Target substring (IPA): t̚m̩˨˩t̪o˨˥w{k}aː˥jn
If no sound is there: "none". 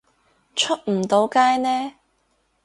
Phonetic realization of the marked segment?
k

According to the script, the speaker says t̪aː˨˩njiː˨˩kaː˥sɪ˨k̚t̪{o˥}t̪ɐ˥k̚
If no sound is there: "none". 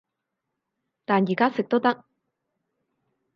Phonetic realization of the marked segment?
o˥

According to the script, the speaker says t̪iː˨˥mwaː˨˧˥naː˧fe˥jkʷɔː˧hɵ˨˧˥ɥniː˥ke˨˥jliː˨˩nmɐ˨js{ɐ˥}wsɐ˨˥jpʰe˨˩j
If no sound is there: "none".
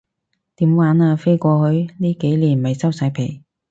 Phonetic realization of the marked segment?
ɐ˥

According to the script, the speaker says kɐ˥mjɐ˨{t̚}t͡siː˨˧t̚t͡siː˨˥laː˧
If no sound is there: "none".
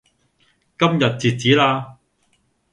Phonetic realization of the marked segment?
t̚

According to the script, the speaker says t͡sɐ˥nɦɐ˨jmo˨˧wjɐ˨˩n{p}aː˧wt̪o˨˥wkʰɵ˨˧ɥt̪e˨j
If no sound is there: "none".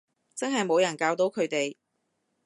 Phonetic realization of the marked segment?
k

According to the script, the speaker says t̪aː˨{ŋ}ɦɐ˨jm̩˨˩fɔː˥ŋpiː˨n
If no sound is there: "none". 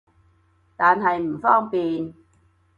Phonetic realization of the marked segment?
n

